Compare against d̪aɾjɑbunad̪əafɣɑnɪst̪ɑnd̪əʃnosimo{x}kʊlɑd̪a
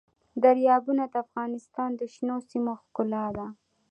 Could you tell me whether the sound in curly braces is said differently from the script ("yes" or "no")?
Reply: no